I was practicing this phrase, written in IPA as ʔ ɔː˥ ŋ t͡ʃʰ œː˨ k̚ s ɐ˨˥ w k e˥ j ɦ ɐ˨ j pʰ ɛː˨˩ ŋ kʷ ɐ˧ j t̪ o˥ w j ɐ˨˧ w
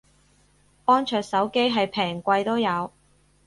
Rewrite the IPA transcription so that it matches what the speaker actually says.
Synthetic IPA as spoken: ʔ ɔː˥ n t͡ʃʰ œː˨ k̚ s ɐ˨˥ w k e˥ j ɦ ɐ˨ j pʰ ɛː˨˩ ŋ kʷ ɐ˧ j t̪ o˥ w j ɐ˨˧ w